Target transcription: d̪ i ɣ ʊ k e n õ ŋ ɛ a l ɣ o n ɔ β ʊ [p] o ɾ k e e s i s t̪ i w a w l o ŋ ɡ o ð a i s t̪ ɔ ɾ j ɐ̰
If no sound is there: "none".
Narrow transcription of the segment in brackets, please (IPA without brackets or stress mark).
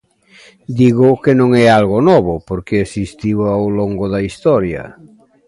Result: p